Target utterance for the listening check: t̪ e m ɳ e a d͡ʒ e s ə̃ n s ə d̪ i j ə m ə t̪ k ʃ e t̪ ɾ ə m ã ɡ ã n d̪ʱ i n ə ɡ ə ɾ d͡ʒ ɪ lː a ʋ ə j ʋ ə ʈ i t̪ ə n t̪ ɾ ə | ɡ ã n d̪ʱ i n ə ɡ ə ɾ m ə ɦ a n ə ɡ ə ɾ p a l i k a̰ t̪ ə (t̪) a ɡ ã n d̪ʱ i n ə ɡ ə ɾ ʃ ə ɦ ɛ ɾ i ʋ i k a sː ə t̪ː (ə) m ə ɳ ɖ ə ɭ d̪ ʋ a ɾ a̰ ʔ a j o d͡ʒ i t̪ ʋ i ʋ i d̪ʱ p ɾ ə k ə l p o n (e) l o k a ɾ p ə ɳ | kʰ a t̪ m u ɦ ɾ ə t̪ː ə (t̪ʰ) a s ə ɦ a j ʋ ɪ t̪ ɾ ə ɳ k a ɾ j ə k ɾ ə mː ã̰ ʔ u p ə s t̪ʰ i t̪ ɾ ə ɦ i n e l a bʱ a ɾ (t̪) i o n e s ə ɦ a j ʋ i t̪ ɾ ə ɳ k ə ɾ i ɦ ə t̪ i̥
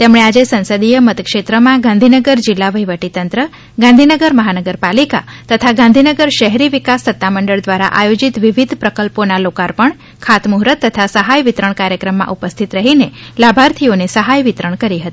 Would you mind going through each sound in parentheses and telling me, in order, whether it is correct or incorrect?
incorrect: t̪ʰ, incorrect: a, incorrect: a, correct, incorrect: t̪ʰ

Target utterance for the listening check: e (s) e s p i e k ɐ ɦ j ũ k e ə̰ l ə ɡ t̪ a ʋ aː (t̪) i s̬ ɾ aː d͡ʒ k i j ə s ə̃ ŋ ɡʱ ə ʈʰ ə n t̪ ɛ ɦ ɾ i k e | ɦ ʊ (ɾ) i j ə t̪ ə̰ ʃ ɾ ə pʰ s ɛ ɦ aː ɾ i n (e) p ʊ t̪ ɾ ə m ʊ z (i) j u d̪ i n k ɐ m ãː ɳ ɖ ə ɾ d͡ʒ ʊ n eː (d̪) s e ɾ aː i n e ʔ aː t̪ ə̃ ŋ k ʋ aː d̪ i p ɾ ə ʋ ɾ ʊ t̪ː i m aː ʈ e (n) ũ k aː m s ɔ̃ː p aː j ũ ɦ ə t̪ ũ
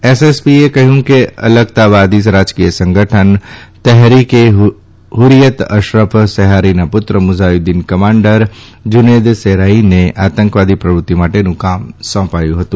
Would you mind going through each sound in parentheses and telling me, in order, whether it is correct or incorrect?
correct, incorrect: d̪, correct, incorrect: a, incorrect: a, correct, correct

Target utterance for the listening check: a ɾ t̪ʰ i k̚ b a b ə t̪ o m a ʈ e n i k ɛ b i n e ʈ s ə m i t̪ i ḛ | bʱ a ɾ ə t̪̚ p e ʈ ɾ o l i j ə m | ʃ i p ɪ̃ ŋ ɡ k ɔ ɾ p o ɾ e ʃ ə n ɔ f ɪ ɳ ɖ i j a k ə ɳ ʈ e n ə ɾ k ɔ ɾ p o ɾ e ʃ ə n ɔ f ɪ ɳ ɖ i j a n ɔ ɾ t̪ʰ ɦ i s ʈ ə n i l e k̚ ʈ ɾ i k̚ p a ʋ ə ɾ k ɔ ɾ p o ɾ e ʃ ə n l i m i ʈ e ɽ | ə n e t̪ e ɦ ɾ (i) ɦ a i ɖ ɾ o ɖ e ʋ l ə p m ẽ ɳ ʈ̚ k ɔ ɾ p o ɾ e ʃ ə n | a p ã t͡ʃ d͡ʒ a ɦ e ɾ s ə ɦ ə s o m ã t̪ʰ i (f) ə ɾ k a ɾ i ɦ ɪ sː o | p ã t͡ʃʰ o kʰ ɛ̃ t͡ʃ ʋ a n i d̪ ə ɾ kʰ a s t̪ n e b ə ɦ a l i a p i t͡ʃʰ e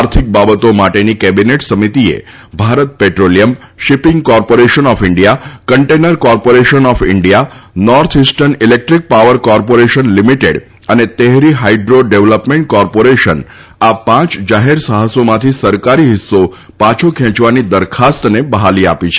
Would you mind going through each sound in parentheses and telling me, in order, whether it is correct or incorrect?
correct, incorrect: s

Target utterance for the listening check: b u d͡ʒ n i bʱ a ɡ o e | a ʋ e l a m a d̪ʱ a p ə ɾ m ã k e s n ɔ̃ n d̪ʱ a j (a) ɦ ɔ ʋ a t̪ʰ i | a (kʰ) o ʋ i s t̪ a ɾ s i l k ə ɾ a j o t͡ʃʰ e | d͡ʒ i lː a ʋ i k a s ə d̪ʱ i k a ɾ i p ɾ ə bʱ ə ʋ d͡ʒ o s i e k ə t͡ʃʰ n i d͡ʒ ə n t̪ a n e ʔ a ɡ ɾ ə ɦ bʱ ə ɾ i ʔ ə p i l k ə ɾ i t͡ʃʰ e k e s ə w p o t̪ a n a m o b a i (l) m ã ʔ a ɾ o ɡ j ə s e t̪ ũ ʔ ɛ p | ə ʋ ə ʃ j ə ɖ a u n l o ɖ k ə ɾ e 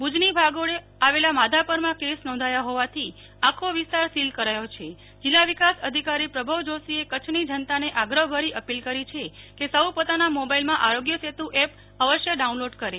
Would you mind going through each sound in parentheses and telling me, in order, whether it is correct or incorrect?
correct, correct, correct

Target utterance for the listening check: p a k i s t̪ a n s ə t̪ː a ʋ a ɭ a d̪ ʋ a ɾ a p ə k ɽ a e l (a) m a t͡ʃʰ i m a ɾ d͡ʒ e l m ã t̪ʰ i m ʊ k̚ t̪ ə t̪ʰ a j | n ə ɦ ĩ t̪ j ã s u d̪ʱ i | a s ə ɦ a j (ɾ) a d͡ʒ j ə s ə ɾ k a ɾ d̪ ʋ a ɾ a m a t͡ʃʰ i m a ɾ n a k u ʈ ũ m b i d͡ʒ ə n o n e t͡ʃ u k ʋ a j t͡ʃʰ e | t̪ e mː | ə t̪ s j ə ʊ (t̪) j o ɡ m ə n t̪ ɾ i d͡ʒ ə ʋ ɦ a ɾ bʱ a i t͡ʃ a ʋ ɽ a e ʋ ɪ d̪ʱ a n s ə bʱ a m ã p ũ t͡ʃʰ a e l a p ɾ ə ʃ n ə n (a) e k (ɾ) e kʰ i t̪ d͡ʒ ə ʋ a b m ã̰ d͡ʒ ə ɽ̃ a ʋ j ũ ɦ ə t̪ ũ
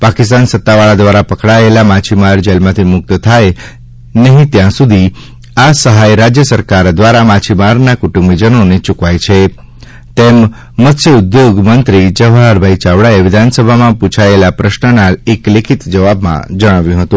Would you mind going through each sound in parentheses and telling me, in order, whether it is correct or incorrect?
correct, correct, incorrect: d̪, correct, incorrect: l

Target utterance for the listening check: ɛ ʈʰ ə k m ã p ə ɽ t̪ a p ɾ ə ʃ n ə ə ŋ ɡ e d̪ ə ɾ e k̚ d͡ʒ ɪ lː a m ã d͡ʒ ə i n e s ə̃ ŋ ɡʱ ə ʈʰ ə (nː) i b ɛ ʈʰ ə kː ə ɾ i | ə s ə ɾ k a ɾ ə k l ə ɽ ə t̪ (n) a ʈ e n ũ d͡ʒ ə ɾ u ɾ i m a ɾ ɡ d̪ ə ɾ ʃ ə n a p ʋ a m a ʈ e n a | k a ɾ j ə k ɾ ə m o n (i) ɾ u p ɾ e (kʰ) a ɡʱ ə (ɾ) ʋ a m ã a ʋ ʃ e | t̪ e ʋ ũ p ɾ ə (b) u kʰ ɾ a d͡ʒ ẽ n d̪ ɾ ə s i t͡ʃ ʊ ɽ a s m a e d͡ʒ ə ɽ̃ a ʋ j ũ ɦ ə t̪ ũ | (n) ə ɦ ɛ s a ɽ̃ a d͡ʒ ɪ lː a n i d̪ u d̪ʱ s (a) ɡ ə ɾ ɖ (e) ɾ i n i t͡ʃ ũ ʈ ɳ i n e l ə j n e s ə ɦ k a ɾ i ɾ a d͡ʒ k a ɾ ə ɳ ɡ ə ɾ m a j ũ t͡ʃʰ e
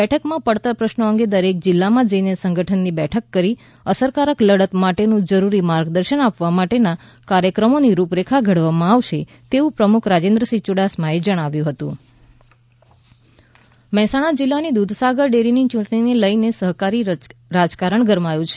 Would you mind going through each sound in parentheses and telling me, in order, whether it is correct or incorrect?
correct, incorrect: m, correct, correct, incorrect: ɽ, incorrect: m, incorrect: m, correct, correct

